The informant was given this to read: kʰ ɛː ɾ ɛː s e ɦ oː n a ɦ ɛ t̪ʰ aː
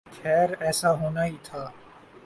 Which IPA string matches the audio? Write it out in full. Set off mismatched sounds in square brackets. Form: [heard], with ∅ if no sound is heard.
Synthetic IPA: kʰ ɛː ɾ ɛː s [a] ɦ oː n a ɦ [i] t̪ʰ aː